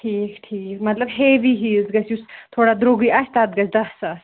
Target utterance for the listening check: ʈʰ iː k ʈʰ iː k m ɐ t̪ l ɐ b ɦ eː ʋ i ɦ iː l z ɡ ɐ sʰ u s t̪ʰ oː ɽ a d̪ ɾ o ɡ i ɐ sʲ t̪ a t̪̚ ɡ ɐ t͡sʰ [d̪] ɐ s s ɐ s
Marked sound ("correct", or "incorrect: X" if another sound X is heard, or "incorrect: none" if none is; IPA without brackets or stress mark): correct